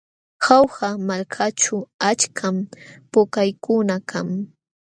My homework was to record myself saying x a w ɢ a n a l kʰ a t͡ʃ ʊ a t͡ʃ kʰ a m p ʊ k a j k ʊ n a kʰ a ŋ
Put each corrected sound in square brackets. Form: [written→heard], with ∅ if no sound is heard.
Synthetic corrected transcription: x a w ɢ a [n→m] a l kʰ a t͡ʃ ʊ a t͡ʃ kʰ a m p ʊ k a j k ʊ n a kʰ a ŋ

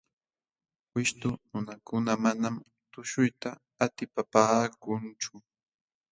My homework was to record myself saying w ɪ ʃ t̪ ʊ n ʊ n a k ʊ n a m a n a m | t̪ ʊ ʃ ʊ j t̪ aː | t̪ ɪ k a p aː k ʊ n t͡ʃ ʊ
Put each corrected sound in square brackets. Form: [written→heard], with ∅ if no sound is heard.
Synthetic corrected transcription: w ɪ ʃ t̪ ʊ n ʊ n a k ʊ n a m a n a m | t̪ ʊ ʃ ʊ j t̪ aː | t̪ ɪ [k→p] a p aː k ʊ n t͡ʃ ʊ

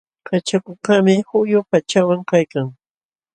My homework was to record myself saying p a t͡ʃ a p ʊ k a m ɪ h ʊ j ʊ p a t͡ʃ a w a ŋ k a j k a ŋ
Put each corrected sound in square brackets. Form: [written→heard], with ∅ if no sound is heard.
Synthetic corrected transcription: [p→k] a t͡ʃ a [p→k] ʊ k a m ɪ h ʊ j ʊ p a t͡ʃ a w a ŋ k a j k a ŋ

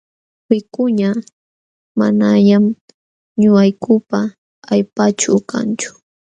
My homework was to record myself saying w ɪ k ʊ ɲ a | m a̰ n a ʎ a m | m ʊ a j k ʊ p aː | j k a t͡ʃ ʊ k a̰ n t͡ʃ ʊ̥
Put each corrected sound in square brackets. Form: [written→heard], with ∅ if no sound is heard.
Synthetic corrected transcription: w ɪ k ʊ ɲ a | m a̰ n a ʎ a m | [m→ɲ] ʊ a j k ʊ p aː | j [k→p] a t͡ʃ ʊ k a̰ n t͡ʃ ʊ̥

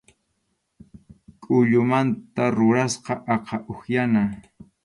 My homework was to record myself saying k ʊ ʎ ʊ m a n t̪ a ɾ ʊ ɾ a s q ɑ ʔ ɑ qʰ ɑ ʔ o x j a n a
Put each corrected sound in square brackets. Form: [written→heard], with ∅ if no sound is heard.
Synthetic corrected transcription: [k→kʼ] ʊ ʎ ʊ m a n t̪ a ɾ ʊ ɾ a s q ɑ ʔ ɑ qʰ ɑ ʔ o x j a n a

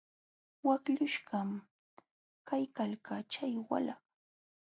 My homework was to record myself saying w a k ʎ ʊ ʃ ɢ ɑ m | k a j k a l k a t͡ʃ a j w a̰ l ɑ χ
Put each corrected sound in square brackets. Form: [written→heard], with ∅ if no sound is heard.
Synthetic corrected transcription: w a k ʎ ʊ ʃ ɢ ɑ m | k a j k a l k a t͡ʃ a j w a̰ l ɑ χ

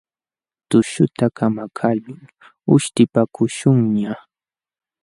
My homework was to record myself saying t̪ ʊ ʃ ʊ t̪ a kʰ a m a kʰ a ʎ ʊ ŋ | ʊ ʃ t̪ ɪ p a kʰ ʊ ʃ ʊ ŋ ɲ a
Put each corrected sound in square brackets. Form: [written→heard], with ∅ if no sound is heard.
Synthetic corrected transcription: t̪ ʊ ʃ ʊ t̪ a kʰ a m a kʰ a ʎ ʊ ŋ | ʊ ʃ t̪ ɪ p a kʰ ʊ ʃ ʊ ŋ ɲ a

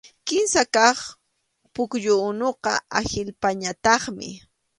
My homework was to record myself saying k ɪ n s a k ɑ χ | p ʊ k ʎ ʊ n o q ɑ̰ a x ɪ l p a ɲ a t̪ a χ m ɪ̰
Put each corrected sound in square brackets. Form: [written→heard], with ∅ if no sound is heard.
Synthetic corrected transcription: k ɪ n s a k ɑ χ | p ʊ k ʎ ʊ n o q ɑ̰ a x ɪ l p a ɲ a t̪ [a→ɑ] χ m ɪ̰

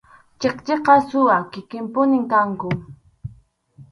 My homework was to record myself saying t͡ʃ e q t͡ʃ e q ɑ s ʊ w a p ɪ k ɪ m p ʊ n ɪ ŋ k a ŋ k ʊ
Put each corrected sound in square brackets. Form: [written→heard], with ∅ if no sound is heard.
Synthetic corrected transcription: t͡ʃ e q t͡ʃ e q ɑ s ʊ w a [p→k] ɪ k ɪ m p ʊ n ɪ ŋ k a ŋ k ʊ

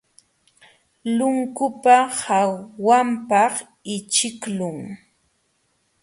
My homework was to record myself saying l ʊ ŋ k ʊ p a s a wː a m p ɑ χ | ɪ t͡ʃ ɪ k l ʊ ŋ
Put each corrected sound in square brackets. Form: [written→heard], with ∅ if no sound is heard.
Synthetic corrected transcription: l ʊ ŋ k ʊ p a [s→h] a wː a m p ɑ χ | ɪ t͡ʃ ɪ k l ʊ ŋ

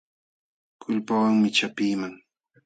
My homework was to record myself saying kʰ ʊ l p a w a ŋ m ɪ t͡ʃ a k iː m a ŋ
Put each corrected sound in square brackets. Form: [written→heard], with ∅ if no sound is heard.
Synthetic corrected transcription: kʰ ʊ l p a w a ŋ m ɪ t͡ʃ a [k→p] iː m a ŋ

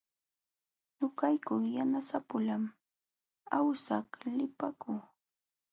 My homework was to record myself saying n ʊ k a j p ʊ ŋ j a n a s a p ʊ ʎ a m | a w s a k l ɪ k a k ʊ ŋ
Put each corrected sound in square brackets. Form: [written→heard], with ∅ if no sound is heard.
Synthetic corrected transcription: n ʊ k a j [p→k] ʊ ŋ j a n a s a p ʊ [ʎ→l] a m | a w s a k l ɪ [k→p] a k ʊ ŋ

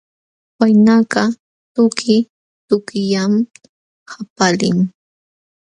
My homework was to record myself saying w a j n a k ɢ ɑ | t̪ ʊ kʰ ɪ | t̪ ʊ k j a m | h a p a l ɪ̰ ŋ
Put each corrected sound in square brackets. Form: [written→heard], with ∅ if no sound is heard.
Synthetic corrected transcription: w a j n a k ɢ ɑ | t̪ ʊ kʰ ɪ | t̪ ʊ k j a m | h a p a l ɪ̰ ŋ

